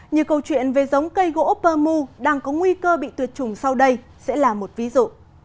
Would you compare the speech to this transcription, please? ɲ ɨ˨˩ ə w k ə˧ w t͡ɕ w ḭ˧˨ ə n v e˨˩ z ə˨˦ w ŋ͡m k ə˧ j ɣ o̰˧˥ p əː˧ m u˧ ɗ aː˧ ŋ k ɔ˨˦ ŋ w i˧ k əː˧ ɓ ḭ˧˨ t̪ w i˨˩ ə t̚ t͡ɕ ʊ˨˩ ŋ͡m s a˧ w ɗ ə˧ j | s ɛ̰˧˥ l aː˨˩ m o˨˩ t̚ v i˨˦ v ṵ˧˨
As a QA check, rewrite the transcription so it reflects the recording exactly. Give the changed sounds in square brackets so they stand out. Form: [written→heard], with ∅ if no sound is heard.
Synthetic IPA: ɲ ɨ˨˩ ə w k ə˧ w t͡ɕ w ḭ˧˨ ə n v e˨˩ z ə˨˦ w ŋ͡m k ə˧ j ɣ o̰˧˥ p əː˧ m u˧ ɗ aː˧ ŋ k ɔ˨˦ ŋ w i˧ k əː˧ ɓ ḭ˧˨ t̪ w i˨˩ ə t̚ t͡ɕ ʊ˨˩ ŋ͡m s a˧ w ɗ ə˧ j | s ɛ̰˧˥ l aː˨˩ m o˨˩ t̚ v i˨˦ [v→z] ṵ˧˨